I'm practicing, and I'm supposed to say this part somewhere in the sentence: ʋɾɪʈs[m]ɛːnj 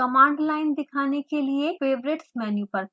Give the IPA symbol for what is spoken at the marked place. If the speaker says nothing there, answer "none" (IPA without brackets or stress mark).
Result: m